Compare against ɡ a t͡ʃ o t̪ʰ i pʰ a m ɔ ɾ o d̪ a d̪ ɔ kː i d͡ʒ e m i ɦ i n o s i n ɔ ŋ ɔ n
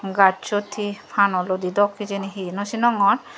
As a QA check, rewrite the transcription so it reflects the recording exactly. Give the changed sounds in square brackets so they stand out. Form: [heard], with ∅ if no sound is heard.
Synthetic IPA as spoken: ɡ a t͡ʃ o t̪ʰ i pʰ a [n] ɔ [l] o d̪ [i] d̪ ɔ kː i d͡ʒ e [n] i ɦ i n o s i n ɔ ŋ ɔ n